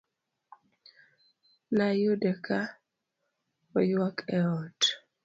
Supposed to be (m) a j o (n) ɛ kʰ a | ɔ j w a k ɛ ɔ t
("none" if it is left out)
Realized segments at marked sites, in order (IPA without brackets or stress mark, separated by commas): n, d